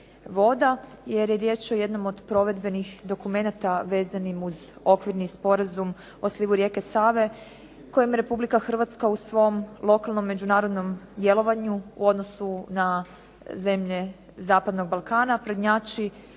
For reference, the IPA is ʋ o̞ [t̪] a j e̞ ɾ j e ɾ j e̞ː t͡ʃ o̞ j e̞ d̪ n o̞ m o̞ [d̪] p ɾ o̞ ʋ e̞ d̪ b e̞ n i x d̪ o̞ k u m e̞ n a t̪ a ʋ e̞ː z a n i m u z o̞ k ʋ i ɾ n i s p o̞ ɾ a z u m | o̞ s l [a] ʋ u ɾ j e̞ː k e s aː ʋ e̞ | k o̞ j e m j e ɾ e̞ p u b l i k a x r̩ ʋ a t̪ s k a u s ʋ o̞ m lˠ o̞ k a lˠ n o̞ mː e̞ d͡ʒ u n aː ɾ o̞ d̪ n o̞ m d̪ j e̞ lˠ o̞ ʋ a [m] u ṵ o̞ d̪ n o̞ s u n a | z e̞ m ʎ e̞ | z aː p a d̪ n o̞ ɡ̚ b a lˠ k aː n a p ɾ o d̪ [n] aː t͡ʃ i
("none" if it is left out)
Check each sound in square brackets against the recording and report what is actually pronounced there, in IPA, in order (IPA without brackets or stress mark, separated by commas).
d̪, d̪, i, ɲ, ɲ